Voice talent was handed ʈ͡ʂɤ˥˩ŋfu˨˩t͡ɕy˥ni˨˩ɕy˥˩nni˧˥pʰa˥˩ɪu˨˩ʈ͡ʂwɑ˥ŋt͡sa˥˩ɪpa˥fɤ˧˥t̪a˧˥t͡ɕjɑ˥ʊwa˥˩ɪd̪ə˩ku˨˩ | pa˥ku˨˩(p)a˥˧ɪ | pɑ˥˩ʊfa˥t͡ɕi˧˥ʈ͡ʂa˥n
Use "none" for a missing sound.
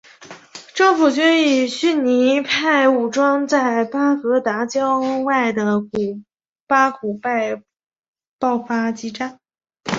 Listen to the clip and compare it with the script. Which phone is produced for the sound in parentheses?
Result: p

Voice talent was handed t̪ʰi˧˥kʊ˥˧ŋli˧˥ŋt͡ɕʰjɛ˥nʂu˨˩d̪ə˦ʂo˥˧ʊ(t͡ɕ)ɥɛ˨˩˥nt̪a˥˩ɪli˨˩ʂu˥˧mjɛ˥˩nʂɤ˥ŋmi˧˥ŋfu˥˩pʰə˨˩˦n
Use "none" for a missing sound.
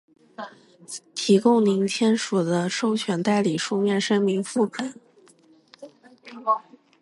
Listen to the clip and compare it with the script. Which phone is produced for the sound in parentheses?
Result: t͡ɕʰ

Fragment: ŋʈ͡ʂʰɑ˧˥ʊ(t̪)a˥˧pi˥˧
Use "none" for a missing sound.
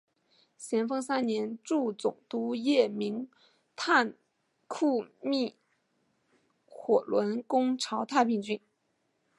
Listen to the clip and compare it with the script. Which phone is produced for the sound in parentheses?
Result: t̪ʰ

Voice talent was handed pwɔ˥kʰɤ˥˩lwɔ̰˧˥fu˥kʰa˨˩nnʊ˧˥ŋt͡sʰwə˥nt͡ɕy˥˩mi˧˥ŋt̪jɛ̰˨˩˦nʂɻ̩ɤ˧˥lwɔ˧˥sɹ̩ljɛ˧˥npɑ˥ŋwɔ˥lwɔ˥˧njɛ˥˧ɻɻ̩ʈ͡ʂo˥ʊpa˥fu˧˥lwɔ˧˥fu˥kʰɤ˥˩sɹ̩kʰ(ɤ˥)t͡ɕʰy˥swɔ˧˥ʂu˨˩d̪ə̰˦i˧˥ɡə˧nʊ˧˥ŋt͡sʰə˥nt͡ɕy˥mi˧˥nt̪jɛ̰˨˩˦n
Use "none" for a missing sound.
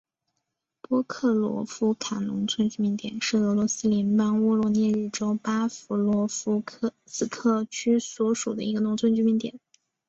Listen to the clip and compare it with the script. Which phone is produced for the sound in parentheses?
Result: ɤ˥˩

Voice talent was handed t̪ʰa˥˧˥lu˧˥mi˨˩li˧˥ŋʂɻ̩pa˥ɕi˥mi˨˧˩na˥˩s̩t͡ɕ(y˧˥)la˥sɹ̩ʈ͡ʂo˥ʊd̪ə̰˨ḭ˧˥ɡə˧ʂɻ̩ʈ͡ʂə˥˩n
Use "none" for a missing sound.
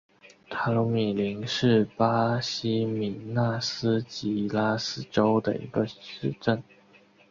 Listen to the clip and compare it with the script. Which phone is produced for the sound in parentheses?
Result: i˧˥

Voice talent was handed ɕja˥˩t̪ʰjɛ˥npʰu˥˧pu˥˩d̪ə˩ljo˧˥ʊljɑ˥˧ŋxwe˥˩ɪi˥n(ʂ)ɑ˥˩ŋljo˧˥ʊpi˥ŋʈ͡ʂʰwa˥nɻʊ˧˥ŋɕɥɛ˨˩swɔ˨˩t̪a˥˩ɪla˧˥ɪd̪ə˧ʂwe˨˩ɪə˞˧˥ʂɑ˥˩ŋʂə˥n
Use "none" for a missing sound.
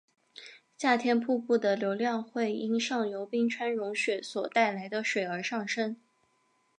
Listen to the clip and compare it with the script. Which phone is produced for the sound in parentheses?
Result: ʂ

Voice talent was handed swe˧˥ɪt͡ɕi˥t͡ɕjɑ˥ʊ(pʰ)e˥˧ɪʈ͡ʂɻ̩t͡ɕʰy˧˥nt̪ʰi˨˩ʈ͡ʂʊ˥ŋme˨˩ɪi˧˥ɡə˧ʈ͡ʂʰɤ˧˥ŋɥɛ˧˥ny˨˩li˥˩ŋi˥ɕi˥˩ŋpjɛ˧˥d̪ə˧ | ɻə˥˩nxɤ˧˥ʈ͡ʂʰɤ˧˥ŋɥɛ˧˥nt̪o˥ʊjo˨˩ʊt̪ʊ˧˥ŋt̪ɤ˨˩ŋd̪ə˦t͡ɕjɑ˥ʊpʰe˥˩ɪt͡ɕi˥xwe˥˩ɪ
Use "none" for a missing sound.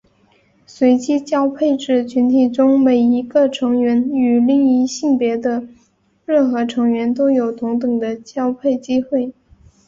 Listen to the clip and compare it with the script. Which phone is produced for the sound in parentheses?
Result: pʰ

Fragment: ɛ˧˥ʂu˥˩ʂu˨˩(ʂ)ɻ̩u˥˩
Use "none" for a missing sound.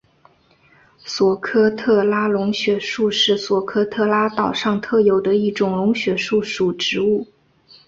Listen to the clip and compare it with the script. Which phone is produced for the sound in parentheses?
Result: ʈ͡ʂ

